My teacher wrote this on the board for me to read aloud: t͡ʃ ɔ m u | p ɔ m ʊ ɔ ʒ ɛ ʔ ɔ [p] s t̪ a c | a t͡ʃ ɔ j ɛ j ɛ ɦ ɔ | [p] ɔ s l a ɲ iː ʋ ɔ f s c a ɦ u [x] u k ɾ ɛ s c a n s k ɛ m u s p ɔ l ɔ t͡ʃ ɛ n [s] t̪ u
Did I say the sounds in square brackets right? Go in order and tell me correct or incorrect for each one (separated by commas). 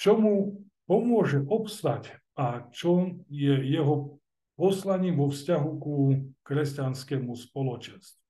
correct, correct, incorrect, correct